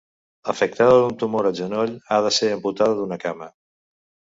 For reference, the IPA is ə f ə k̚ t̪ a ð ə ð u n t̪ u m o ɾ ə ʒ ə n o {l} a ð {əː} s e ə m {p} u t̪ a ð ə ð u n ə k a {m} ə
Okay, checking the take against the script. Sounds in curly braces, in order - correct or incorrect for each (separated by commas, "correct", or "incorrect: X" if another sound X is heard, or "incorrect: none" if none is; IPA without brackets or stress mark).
incorrect: ʎ, incorrect: ə, correct, correct